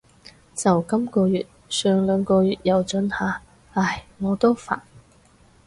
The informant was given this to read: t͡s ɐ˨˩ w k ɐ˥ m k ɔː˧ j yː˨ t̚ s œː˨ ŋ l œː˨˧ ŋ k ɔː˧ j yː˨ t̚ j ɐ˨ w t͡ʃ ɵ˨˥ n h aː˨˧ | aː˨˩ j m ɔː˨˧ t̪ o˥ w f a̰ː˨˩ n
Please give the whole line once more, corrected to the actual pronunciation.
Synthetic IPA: t͡s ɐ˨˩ w k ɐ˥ m k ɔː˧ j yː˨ t̚ s œː˨ ŋ l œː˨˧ ŋ k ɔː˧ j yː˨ t̚ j ɐ˨ w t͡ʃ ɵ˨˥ n h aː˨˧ | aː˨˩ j ŋ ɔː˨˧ t̪ o˥ w f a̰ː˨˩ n